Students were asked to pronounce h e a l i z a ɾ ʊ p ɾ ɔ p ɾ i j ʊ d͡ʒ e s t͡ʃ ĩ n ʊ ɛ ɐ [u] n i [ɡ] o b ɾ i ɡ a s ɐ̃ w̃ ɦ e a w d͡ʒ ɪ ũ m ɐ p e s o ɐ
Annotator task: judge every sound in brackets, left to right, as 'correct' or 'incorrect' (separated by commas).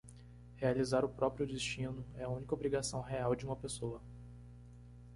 incorrect, incorrect